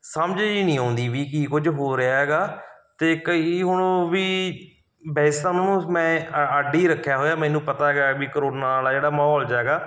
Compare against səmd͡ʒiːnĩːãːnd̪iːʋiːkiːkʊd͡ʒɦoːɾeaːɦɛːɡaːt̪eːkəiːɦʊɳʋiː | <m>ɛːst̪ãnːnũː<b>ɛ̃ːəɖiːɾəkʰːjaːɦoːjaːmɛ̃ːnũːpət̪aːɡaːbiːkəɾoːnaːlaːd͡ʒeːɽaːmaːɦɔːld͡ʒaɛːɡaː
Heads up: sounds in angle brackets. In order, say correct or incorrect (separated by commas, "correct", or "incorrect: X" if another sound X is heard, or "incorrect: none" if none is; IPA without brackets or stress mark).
incorrect: b, incorrect: m